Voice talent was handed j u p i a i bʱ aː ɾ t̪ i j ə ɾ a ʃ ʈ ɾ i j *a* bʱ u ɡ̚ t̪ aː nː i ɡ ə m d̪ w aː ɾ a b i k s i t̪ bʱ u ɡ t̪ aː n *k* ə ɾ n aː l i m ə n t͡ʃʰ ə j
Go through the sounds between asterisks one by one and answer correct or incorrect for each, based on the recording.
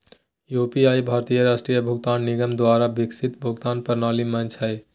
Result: incorrect, incorrect

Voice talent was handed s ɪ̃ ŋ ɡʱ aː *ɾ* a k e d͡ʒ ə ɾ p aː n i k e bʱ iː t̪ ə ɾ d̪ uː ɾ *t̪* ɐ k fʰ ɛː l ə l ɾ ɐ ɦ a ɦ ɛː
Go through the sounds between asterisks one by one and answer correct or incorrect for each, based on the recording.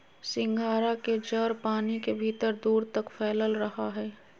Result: correct, correct

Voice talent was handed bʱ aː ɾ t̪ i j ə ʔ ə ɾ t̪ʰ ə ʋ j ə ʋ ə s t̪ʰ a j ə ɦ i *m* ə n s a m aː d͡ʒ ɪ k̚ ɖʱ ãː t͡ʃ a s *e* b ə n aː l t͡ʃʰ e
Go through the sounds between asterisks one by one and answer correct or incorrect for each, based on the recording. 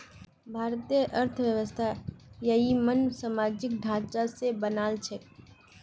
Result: correct, correct

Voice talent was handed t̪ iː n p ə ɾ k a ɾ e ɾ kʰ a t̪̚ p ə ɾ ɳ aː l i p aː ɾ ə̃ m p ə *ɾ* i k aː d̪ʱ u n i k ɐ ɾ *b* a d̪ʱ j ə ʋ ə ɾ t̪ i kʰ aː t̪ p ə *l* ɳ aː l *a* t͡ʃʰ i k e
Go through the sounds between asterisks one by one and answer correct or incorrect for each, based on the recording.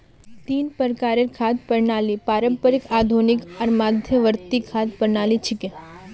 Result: correct, incorrect, incorrect, incorrect

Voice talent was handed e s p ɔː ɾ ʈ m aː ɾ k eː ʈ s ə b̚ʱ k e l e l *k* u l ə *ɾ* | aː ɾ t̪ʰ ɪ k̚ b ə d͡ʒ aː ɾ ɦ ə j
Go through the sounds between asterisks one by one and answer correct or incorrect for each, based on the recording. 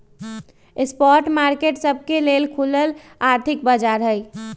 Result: incorrect, incorrect

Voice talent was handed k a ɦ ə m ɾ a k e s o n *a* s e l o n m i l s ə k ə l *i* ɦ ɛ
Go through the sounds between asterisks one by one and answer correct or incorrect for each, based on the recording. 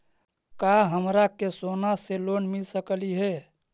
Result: correct, correct

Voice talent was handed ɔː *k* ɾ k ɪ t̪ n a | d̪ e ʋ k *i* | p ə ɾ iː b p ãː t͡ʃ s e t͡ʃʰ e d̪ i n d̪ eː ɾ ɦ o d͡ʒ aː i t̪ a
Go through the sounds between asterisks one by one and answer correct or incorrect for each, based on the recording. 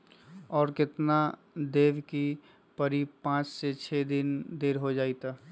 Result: incorrect, correct

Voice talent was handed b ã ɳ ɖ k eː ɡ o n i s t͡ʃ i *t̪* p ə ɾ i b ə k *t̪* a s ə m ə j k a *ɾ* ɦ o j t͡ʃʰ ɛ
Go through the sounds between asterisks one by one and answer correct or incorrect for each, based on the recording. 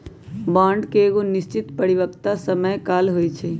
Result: correct, correct, incorrect

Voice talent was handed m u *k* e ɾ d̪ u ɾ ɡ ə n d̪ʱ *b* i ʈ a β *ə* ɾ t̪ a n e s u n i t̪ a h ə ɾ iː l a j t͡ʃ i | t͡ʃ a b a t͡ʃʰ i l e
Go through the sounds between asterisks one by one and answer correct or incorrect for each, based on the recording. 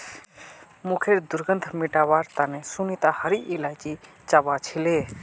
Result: incorrect, incorrect, incorrect

